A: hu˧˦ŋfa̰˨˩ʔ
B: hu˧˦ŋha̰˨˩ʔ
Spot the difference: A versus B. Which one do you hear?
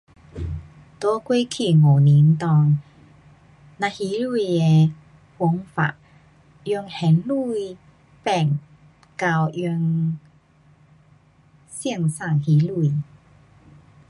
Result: A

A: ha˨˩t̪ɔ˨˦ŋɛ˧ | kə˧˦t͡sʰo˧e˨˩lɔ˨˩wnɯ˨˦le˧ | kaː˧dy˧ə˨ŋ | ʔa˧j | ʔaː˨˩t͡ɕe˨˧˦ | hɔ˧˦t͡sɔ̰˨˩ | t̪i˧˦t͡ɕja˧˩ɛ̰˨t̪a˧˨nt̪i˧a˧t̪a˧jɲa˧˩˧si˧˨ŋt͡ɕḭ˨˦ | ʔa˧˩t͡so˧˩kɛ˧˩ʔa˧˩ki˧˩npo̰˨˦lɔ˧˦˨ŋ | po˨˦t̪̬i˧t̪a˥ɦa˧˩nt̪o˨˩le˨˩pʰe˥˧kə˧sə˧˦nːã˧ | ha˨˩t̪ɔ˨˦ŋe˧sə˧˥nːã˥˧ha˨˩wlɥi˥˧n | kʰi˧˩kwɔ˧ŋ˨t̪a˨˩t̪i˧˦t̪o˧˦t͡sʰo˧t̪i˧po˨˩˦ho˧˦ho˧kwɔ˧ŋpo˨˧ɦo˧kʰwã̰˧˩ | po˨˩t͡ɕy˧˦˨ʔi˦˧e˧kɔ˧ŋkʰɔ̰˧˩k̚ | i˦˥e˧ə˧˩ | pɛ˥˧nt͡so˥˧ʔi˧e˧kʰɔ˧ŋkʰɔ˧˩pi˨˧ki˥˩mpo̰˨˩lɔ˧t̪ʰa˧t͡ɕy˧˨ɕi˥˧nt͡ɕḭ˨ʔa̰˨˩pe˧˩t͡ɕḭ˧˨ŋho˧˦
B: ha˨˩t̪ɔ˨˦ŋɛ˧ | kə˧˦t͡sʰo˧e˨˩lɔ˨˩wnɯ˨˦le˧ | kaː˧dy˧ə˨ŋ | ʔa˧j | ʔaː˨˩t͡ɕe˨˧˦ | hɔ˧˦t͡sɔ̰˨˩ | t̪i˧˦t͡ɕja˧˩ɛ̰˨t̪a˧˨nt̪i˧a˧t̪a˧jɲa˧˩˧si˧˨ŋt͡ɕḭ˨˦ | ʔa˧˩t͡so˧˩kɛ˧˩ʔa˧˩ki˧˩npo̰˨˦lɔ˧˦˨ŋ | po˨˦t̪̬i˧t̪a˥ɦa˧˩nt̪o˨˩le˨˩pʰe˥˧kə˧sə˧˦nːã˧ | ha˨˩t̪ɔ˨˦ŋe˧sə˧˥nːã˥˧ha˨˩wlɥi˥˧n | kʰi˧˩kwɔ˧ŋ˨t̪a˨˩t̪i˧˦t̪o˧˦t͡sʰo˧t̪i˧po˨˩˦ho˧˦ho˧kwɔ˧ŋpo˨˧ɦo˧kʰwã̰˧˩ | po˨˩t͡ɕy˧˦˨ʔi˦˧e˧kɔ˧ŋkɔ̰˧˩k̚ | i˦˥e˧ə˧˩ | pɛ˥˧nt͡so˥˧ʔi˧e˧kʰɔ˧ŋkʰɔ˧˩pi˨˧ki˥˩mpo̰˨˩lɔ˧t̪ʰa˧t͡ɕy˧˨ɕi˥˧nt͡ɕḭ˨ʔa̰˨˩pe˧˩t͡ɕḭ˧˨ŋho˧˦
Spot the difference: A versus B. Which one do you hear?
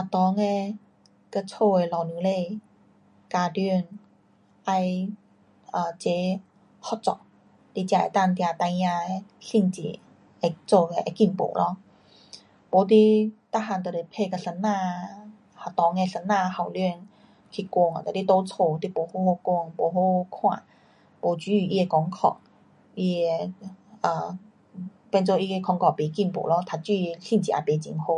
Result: A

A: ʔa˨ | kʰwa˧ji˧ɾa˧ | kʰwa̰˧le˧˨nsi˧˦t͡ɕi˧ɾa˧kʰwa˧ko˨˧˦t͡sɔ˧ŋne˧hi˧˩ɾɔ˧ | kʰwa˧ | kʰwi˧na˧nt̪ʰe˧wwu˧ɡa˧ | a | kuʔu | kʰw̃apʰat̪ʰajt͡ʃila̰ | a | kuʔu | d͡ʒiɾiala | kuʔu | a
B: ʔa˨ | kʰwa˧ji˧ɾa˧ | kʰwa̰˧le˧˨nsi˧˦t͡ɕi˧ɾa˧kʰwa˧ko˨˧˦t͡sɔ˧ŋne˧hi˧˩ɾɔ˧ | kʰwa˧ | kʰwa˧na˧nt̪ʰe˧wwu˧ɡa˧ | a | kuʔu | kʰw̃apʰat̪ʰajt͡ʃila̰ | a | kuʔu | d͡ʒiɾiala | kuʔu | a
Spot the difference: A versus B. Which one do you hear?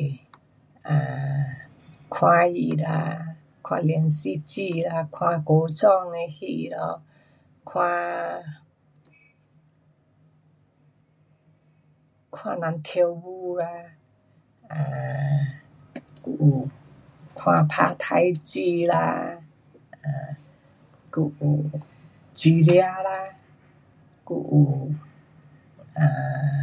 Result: B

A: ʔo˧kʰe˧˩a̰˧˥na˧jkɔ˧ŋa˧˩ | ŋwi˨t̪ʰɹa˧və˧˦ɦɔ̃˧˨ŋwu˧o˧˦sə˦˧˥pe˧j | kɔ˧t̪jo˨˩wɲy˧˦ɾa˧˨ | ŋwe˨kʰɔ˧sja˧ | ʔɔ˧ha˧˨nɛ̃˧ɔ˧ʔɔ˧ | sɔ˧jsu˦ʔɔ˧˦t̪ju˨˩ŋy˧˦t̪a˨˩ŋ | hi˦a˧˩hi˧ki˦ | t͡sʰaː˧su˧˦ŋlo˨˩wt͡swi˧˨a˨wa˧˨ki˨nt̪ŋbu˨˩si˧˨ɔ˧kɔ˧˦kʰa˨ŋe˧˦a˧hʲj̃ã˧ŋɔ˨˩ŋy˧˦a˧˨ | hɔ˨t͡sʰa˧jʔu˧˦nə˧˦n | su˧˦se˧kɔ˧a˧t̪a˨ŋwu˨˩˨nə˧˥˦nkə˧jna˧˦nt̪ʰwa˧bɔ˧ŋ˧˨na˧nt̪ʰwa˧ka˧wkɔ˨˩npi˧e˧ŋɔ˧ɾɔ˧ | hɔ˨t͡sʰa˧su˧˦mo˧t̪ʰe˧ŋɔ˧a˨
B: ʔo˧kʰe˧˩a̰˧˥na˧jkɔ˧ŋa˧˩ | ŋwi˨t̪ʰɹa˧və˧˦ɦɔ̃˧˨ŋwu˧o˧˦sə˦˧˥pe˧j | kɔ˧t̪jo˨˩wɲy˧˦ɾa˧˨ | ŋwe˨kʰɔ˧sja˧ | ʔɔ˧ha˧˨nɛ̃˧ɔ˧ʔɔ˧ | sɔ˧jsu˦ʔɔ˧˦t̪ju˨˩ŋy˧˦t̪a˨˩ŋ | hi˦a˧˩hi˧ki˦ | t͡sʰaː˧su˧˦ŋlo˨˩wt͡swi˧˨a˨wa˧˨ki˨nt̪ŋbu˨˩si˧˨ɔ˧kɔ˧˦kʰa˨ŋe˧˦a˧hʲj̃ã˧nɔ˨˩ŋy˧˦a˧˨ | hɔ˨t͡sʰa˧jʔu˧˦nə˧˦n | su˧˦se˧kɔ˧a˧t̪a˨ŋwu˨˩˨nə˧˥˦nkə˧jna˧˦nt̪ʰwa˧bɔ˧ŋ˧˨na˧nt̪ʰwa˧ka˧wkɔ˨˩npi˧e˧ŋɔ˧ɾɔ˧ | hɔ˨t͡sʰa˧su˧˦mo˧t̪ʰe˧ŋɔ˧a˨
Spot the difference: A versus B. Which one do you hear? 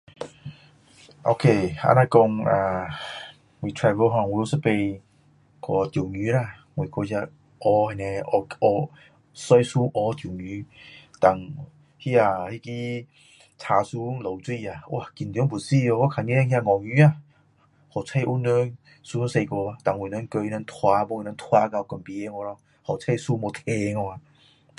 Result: A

